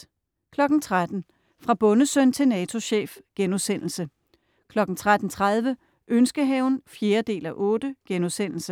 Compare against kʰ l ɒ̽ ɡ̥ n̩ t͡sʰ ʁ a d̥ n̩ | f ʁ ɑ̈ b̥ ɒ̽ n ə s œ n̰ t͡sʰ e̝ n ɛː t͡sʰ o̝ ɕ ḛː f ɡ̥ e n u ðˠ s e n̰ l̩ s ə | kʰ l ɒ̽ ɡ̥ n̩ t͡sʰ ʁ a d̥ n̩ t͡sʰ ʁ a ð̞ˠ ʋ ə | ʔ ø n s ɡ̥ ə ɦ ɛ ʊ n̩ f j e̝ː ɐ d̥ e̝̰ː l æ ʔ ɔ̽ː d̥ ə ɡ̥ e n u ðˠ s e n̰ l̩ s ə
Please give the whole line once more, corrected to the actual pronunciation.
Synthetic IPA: kʰ l ɒ̽ ɡ̥ n̩ t͡sʰ ʁ a d̥ n̩ | f ʁ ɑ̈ b̥ ɔ̽ n ə s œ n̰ t͡sʰ e̝ n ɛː t͡sʰ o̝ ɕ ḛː f ɡ̥ e n u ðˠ s e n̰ l̩ s ə | kʰ l ɒ̽ ɡ̥ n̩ t͡sʰ ʁ a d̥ n̩ t͡sʰ ʁ a ð̞ˠ ʋ ə | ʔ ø n s ɡ̥ ə ɦ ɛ ʊ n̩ f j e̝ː ɐ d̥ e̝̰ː l æ ʔ ɔ̽ː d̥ ə ɡ̥ e n u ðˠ s e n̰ l̩ s ə

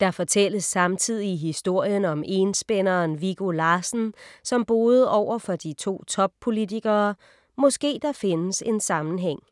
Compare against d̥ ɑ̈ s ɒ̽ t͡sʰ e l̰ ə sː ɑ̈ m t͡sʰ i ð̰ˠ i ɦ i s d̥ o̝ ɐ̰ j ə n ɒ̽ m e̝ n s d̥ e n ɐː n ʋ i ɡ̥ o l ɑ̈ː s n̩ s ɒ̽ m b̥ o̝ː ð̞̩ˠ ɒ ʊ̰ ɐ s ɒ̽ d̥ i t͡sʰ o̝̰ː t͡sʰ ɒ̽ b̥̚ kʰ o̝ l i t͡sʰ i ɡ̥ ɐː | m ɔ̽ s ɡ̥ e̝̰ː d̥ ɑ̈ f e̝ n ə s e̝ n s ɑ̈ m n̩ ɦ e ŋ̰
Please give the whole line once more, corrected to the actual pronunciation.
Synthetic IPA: d̥ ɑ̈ f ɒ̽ t͡sʰ e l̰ ə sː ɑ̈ m t͡sʰ i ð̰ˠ i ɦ i s d̥ o̝ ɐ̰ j ə n ɒ̽ m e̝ n s b̥ e n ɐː n ʋ i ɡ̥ o l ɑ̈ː s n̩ s ɒ̽ m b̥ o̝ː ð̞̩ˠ ɒ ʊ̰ ɐ f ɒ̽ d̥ i t͡sʰ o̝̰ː t͡sʰ ɒ̽ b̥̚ pʰ o̝ l i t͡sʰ i ɡ̥ ɐː | m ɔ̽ s ɡ̥ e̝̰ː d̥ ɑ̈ f e̝ n ə s e̝ n s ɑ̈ m n̩ ɦ e ŋ̰

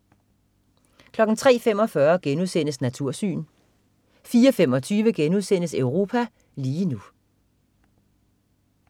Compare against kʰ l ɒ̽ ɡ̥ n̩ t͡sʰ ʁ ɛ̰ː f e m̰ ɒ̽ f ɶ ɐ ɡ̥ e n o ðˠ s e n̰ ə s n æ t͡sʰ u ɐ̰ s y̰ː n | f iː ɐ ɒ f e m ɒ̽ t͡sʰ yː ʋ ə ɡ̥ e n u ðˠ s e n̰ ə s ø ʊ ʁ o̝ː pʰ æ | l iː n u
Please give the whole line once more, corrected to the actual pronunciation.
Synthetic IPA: kʰ l ɒ̽ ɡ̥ n̩ t͡sʰ ʁ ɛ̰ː f e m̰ ɒ̽ f ɶ ɐ ɡ̥ e n u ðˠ s e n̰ ə s n æ t͡sʰ u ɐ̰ s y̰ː n | f iː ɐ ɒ f e m ɒ̽ t͡sʰ yː ʋ ə ɡ̥ e n u ðˠ s e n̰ ə s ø ʊ ʁ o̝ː pʰ æ | l iː n u

